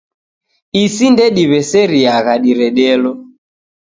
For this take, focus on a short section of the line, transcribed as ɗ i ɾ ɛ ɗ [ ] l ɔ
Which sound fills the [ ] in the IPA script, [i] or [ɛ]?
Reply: ɛ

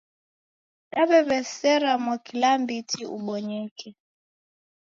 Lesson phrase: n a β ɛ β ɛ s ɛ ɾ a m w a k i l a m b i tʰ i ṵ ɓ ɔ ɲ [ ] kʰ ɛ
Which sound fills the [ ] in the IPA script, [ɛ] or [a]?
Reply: ɛ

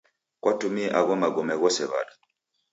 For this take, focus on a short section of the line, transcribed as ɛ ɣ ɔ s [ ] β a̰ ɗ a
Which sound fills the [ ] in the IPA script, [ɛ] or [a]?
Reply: ɛ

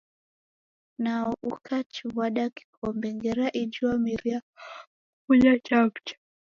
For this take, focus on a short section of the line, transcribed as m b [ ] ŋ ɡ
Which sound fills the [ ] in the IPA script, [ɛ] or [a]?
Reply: ɛ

